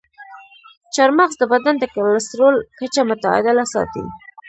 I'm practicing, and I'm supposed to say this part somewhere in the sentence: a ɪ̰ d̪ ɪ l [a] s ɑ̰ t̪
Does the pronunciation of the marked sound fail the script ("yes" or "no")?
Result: no